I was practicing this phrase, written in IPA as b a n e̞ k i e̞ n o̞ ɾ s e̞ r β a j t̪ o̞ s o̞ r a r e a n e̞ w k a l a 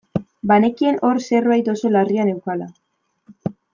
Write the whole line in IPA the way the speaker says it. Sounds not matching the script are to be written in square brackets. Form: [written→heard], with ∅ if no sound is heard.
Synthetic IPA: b a n e̞ k i e̞ n o̞ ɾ s e̞ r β a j t̪ o̞ s o̞ [r→l] a r [e→i] a n e̞ w k a l a